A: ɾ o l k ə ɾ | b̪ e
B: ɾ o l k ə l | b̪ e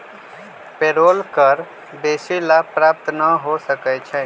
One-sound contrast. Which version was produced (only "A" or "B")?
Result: A